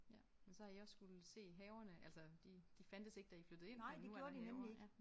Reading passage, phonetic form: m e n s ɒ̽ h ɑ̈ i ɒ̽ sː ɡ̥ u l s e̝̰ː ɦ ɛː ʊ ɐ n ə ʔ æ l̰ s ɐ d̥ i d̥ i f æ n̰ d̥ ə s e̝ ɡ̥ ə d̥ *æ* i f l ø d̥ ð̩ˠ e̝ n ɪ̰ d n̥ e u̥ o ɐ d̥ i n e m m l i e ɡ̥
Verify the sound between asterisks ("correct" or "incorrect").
correct